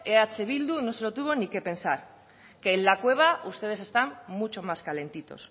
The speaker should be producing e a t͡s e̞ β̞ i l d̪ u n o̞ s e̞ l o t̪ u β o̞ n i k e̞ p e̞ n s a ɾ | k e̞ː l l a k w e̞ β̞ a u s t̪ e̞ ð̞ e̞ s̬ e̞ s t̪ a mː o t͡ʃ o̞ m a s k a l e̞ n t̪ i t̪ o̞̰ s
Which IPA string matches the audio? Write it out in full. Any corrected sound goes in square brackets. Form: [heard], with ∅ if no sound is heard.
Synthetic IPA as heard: e a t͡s e̞ β̞ i l d̪ u n o̞ s e̞ l o t̪ u β o̞ n i k e̞ p e̞ n s a ɾ | k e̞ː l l a k w e̞ β̞ a u s t̪ e̞ ð̞ e̞ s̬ e̞ s t̪ a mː [u] t͡ʃ o̞ m a s k a l e̞ n t̪ i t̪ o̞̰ s